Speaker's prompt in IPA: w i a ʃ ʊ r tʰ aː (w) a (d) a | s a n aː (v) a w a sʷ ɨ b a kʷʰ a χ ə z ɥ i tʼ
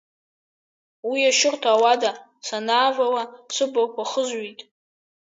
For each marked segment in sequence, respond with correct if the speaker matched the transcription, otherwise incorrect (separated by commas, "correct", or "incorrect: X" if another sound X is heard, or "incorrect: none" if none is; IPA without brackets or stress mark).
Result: correct, correct, correct